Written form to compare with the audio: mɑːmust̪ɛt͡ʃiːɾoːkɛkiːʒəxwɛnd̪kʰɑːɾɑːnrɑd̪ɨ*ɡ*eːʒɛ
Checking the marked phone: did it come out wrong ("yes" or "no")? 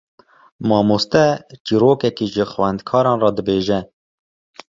yes